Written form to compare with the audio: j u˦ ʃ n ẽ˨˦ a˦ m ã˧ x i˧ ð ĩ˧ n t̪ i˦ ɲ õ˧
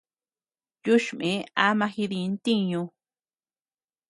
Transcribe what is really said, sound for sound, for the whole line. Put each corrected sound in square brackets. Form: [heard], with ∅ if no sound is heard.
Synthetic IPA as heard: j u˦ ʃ [m] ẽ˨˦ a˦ m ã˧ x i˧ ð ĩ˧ n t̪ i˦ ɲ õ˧